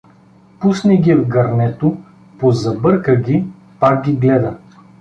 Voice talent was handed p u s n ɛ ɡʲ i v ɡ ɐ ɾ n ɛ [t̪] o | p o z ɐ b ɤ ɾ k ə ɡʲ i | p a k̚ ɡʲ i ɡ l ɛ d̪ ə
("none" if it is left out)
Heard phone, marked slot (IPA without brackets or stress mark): t̪